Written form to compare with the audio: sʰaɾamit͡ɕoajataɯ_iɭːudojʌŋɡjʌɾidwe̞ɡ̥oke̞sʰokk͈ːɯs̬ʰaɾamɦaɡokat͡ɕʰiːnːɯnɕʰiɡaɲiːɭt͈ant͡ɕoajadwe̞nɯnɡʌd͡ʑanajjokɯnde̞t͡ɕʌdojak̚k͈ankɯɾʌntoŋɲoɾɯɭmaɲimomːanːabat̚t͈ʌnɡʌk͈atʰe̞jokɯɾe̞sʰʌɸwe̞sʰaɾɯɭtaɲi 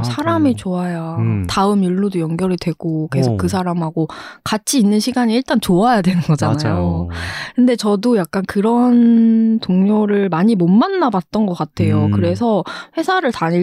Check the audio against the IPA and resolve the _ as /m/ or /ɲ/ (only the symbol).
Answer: m